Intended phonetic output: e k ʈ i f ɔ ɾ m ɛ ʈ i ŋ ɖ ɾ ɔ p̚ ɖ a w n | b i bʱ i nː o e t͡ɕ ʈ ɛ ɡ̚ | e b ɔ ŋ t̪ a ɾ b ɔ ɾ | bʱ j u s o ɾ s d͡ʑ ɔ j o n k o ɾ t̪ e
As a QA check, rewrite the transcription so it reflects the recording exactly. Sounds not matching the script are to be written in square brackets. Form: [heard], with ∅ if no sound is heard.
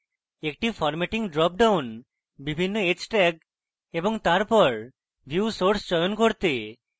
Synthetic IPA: e k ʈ i f ɔ ɾ m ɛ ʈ i ŋ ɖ ɾ ɔ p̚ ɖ a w n | b i bʱ i nː o e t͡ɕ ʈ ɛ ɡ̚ | e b [o] ŋ t̪ a ɾ [p] ɔ ɾ | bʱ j u s o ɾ s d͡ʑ ɔ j o n k o ɾ t̪ e